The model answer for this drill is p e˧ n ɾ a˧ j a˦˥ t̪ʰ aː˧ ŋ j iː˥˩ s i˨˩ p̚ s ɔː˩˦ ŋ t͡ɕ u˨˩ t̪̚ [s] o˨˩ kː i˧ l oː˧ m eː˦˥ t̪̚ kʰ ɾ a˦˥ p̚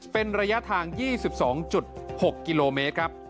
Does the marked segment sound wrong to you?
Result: yes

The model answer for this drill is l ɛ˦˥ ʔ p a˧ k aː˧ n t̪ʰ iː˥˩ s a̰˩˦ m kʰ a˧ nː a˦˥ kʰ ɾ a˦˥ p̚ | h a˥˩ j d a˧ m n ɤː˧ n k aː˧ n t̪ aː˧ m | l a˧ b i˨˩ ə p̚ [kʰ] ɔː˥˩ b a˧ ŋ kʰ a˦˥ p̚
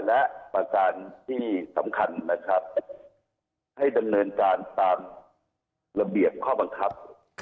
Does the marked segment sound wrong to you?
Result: no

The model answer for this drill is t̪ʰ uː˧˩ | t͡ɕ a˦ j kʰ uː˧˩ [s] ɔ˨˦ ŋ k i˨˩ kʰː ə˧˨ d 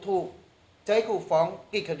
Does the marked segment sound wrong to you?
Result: yes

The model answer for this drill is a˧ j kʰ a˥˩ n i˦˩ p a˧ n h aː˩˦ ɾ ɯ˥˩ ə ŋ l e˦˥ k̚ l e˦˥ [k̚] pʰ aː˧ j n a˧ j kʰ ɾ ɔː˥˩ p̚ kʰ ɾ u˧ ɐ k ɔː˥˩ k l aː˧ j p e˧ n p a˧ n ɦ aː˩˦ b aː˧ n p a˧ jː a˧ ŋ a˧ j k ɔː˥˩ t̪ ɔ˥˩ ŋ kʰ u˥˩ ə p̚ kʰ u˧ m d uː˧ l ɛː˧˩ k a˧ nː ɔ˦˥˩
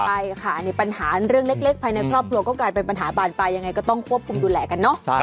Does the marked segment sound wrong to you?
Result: no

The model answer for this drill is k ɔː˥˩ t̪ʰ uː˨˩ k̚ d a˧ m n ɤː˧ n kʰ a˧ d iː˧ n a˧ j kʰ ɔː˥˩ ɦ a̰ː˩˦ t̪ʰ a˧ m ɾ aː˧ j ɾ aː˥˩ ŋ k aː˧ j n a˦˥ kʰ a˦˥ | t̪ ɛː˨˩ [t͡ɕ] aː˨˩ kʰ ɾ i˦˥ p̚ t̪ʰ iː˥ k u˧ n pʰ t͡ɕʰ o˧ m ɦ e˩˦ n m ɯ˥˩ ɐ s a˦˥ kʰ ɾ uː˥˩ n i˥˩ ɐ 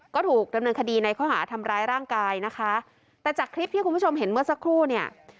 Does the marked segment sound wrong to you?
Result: no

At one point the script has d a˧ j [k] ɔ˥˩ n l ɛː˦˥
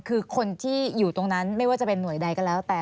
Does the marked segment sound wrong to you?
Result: no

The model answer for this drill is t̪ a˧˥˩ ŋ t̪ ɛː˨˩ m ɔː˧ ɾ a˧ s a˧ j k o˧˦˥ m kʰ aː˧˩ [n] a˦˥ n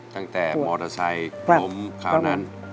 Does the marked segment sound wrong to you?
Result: no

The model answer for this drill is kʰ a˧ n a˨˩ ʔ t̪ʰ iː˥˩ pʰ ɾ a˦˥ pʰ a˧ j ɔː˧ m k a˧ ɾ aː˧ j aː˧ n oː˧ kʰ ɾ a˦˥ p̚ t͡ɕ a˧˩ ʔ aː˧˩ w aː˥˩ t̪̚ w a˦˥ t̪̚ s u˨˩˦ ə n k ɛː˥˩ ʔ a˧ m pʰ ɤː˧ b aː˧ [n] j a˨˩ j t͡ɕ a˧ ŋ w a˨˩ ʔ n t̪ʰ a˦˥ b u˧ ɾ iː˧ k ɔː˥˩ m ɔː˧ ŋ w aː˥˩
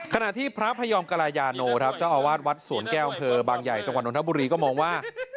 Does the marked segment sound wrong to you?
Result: yes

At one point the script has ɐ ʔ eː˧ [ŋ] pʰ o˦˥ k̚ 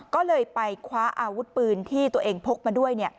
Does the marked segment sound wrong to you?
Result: no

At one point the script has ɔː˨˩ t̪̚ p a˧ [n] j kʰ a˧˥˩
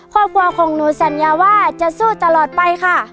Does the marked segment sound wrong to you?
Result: yes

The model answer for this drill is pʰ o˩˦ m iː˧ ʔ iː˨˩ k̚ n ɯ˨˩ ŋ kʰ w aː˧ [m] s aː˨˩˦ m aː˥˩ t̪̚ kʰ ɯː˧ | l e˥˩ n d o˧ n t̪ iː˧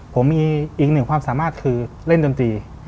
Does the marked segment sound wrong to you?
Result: no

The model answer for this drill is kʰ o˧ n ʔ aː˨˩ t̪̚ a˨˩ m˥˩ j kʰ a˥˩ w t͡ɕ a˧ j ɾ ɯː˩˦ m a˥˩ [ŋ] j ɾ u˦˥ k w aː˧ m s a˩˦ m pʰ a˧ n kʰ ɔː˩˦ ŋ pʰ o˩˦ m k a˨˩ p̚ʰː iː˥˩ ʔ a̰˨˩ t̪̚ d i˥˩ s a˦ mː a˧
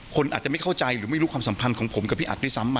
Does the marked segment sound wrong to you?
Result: yes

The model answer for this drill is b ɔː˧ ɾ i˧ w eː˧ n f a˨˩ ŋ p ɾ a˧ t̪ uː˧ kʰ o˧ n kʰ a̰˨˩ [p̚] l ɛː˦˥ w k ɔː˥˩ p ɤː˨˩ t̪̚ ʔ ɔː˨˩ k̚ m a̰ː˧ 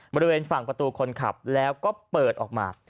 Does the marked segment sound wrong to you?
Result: no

